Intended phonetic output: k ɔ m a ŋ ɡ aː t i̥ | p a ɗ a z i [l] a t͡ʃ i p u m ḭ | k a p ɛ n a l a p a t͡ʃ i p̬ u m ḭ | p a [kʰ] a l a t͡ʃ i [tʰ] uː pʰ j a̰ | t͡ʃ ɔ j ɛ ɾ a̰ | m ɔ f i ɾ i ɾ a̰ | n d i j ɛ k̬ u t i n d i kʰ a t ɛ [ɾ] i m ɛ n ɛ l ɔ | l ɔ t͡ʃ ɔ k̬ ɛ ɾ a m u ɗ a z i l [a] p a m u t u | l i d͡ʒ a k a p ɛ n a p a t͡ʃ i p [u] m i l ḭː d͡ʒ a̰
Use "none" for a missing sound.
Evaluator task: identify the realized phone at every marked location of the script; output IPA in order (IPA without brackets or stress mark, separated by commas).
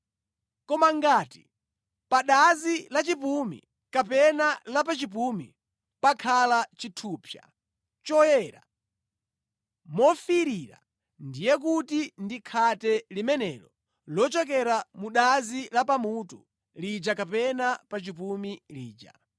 l, kʰ, tʰ, l, a, u